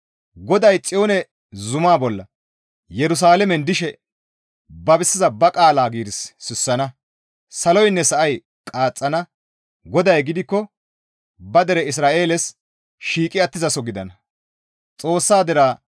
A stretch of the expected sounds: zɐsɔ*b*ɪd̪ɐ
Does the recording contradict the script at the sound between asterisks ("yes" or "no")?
yes